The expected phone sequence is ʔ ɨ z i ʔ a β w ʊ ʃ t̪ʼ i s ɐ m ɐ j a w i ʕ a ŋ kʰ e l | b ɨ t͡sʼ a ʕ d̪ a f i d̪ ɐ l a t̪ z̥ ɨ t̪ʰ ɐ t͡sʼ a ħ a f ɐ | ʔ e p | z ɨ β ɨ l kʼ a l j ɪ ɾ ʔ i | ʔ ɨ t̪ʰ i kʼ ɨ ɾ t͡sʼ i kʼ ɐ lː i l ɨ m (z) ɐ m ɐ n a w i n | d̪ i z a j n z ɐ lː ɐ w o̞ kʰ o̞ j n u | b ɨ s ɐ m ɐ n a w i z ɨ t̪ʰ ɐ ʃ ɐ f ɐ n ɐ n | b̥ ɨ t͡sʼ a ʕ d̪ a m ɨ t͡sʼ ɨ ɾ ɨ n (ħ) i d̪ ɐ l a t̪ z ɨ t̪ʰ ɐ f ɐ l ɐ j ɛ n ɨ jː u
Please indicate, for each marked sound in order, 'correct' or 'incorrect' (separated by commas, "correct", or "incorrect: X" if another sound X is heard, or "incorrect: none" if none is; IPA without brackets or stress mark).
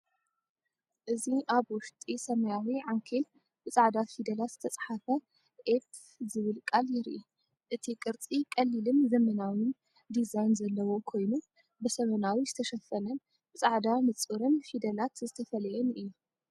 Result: correct, incorrect: f